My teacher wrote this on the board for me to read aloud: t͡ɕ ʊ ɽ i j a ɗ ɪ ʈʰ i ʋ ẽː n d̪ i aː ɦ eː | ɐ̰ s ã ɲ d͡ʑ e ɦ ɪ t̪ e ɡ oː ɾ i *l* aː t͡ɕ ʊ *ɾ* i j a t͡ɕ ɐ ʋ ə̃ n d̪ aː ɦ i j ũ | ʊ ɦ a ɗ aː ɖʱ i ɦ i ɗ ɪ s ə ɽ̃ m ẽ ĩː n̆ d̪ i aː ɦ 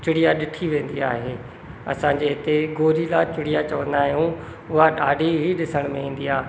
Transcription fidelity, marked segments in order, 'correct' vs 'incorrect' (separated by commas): correct, incorrect